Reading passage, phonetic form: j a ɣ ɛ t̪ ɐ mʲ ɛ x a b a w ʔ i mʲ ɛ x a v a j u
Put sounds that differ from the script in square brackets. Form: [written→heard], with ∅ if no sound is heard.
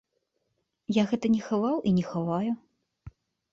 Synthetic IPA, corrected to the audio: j a ɣ ɛ t̪ ɐ [mʲ→nʲ] ɛ x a [b→v] a w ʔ i [mʲ→nʲ] ɛ x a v a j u